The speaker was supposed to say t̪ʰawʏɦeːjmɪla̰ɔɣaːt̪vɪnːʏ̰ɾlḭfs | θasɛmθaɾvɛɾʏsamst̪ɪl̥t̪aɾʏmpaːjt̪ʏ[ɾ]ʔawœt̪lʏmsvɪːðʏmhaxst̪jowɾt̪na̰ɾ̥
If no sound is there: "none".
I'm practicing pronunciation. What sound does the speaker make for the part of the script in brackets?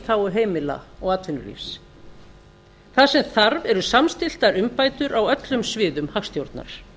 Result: ɾ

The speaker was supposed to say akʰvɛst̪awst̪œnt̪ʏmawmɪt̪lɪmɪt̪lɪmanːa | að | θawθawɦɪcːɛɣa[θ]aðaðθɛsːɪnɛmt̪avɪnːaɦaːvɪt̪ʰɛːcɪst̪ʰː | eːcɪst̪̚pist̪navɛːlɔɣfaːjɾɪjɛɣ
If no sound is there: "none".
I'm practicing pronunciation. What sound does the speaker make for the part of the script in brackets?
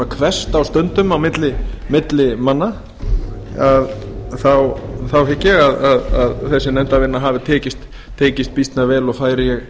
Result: ð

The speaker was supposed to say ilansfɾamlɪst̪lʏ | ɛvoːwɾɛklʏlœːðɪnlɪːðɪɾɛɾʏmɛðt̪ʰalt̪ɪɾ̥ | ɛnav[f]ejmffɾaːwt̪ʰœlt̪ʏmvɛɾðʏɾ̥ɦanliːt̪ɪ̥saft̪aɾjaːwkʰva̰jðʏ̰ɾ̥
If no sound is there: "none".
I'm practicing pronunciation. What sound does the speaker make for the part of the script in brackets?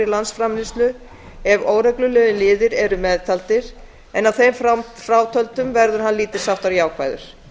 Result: θ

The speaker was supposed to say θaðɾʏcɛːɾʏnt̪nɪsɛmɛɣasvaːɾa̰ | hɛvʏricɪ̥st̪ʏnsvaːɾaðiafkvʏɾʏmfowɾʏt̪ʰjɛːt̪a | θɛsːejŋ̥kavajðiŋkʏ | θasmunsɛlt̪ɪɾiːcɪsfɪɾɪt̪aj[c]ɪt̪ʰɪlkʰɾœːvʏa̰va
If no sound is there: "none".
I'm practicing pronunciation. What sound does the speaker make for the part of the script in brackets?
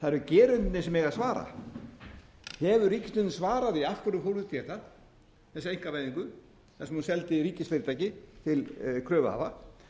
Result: c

